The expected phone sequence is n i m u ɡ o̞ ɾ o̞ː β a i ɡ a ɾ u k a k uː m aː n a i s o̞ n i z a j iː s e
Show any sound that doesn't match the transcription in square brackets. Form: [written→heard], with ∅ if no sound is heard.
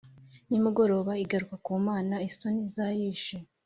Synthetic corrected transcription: n i m u ɡ o̞ ɾ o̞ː β a i ɡ a ɾ u k a k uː m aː n a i s o̞ n i z a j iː [s→ʃ] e